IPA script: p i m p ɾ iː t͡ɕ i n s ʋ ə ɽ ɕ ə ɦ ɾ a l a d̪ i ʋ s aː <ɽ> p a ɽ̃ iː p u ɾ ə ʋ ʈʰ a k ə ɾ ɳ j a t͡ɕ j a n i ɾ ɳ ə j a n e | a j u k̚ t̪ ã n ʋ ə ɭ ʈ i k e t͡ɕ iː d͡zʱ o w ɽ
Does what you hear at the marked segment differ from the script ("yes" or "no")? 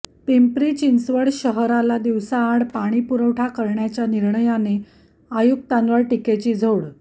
no